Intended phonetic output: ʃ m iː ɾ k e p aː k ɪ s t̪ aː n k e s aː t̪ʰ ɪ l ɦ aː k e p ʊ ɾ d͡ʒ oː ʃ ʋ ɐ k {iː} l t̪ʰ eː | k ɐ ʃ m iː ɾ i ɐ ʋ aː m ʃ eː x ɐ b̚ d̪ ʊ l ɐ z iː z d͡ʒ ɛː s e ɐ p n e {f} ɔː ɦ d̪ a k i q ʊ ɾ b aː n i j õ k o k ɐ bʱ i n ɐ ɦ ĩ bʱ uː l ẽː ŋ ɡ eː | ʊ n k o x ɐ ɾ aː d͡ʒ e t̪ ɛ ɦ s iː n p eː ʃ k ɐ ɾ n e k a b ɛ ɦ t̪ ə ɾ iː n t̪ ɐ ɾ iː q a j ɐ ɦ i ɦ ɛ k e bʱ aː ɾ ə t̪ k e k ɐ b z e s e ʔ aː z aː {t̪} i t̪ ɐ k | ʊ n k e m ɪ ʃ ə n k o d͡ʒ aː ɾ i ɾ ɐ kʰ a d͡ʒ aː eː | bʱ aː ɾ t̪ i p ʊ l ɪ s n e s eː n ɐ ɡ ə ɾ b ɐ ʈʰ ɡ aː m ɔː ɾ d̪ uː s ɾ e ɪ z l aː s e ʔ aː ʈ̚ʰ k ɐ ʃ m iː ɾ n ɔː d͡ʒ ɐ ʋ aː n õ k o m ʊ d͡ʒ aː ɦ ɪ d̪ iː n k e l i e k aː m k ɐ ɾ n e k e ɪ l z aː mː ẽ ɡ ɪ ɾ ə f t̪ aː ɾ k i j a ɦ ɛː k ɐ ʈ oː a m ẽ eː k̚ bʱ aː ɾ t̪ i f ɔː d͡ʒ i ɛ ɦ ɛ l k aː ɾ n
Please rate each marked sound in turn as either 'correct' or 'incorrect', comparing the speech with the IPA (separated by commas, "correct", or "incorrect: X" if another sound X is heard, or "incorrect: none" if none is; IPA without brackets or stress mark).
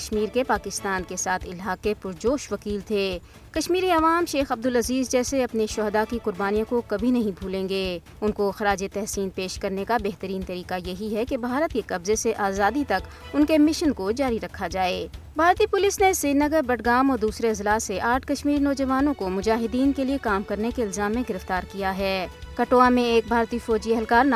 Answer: correct, incorrect: ʃ, incorrect: d̪